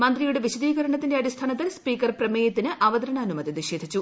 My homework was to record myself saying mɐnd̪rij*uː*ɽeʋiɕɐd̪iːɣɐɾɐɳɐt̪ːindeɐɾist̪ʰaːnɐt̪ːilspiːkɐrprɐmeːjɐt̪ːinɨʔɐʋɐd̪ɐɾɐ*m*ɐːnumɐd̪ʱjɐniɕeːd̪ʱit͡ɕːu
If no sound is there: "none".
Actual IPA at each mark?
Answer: u, ɳ

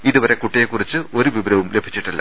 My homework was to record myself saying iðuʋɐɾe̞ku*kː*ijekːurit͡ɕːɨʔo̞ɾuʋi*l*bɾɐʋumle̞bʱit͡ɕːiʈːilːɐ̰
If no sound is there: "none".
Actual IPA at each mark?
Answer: ʈː, none

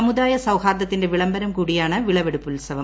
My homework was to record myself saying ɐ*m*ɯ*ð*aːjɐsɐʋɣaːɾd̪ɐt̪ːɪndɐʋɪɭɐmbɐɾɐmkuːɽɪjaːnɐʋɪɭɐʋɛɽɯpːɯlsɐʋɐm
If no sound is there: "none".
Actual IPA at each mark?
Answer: m, ð

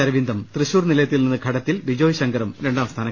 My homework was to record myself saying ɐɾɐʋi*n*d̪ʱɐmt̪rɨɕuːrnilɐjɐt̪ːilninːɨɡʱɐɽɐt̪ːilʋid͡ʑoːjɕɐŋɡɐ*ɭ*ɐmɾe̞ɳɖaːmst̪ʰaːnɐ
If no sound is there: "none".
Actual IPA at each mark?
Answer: n, ɾ

